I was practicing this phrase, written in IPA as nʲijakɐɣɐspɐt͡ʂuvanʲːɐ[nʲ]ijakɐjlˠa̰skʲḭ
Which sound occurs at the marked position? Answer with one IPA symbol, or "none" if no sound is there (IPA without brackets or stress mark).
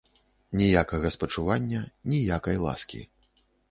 nʲ